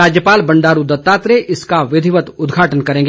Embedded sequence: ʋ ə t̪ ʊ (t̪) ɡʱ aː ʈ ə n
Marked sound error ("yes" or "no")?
yes